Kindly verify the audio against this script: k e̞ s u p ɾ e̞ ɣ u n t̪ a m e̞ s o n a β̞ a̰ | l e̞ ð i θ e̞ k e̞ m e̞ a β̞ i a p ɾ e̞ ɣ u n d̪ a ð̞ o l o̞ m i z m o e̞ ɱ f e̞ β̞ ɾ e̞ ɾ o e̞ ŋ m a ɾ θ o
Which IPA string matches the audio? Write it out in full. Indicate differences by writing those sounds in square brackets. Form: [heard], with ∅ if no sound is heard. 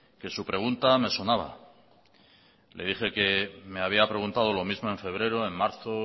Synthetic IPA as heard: k e̞ s u p ɾ e̞ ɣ u n t̪ a m e̞ s o n a β̞ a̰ | l e̞ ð i [x] e̞ k e̞ m e̞ a β̞ i a p ɾ e̞ ɣ u n [t̪] a ð̞ o l o̞ m i z m o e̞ ɱ f e̞ β̞ ɾ e̞ ɾ o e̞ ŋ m a ɾ θ o